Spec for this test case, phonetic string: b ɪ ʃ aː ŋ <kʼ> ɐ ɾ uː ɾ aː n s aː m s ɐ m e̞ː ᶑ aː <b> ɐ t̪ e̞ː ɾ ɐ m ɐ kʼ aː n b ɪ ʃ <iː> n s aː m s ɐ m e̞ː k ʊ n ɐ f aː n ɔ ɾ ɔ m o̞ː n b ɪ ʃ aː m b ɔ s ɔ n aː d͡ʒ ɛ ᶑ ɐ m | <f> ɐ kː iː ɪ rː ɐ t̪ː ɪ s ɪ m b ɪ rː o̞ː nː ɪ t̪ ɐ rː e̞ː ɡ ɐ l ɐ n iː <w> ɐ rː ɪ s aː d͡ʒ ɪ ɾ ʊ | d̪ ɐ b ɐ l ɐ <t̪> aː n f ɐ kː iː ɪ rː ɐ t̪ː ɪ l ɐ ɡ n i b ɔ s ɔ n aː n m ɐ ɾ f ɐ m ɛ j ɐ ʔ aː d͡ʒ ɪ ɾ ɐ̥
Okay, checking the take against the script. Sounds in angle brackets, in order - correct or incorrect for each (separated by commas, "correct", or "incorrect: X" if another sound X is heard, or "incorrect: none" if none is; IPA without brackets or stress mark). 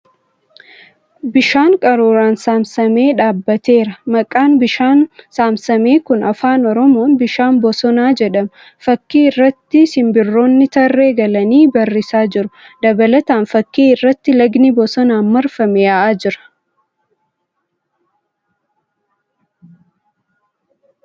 correct, incorrect: bː, incorrect: aː, correct, incorrect: b, correct